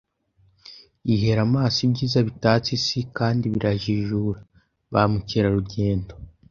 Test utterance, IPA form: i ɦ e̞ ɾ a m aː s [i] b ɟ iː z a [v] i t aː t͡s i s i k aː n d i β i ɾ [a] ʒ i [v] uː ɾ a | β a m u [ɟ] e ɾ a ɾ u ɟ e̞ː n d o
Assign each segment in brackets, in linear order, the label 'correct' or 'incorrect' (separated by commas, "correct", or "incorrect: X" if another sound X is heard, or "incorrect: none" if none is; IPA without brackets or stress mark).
correct, incorrect: β, correct, incorrect: ʒ, incorrect: c